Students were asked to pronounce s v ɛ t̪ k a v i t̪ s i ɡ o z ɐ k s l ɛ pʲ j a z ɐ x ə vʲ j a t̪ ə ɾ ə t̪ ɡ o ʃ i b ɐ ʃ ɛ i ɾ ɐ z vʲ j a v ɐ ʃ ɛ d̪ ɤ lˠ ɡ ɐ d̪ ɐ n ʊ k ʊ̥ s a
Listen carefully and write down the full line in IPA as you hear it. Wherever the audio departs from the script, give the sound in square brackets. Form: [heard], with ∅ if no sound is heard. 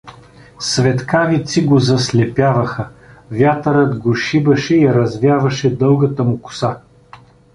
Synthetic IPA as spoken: s v ɛ t̪ k a v i t̪ s i ɡ o z ɐ [∅] s l ɛ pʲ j a [v] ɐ x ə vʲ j a t̪ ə ɾ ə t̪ ɡ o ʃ i b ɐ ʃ ɛ i ɾ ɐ z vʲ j a v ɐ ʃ ɛ d̪ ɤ lˠ ɡ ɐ [t̪] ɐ [m] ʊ k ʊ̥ s a